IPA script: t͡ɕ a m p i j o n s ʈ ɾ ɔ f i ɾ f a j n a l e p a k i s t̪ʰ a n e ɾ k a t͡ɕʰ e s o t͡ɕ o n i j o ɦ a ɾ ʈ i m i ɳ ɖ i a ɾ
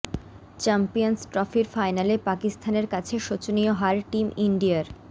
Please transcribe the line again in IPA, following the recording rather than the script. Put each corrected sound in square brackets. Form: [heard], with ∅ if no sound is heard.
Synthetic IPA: t͡ɕ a m p i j o n s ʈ ɾ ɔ f i ɾ f a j n a l e p a k i s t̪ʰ a n e ɾ k a t͡ɕʰ e [ʃ] o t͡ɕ o n i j o ɦ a ɾ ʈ i m i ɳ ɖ i a ɾ